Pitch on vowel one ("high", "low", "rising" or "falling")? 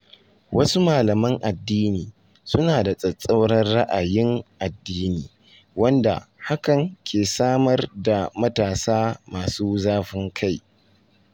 high